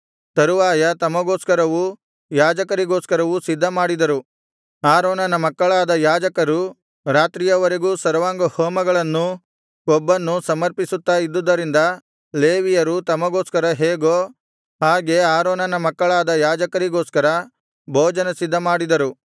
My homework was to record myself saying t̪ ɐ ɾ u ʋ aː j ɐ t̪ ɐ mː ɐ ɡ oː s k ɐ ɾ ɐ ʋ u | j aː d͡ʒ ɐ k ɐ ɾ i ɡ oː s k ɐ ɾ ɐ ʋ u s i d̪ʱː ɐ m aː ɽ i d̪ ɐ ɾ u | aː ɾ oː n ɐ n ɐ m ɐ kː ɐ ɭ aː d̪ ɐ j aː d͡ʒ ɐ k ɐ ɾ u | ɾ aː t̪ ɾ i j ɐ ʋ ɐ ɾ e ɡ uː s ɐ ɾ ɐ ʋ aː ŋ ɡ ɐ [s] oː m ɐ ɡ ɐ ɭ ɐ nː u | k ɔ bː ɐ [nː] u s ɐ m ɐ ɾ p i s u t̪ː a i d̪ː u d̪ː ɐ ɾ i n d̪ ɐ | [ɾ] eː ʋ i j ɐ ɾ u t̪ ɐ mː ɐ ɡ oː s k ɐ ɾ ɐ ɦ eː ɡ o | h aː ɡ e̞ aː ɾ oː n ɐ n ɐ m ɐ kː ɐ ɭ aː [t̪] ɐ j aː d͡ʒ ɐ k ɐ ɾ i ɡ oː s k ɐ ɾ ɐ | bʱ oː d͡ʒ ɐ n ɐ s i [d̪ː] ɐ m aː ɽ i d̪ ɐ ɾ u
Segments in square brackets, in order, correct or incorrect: incorrect: h, correct, incorrect: l, incorrect: d̪, correct

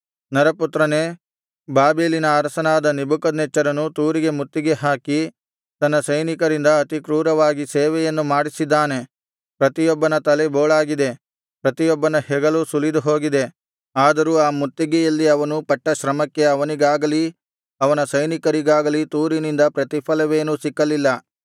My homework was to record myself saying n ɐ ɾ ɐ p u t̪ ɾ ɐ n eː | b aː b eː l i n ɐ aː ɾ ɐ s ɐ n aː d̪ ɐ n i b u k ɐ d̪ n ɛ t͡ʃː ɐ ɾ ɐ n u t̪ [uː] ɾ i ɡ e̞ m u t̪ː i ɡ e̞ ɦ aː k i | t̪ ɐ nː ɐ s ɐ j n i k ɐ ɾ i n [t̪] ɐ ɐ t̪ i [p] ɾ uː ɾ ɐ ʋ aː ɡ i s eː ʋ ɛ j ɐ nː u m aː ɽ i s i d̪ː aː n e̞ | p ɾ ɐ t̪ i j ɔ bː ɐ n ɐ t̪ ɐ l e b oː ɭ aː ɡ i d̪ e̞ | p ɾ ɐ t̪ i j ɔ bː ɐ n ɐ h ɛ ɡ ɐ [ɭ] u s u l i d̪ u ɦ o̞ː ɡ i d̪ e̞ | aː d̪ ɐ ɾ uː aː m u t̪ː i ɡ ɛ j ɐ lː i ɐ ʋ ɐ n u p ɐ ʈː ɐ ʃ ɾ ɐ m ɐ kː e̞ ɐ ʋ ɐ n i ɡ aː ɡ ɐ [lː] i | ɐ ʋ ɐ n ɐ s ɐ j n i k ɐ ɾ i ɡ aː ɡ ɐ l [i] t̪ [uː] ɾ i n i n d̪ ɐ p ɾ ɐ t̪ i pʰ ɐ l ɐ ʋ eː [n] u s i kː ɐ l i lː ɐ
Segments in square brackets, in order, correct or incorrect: correct, incorrect: d̪, incorrect: k, incorrect: l, incorrect: l, correct, correct, correct

